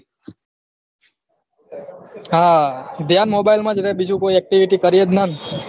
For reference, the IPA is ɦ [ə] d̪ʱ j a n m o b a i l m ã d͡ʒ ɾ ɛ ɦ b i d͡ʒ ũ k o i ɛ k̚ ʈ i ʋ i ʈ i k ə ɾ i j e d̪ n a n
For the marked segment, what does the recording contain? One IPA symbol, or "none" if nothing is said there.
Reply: a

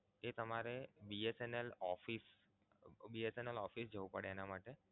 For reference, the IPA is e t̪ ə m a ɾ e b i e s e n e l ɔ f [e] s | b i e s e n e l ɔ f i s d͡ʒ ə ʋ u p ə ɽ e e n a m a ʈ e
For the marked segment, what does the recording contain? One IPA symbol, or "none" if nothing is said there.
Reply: i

